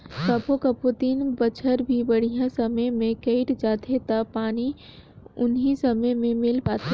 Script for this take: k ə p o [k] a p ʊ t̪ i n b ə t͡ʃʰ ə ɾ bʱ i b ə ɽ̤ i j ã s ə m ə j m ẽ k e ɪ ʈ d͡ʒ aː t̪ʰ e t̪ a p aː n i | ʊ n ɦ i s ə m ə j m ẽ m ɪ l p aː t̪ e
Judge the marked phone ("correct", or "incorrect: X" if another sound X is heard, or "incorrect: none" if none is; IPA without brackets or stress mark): correct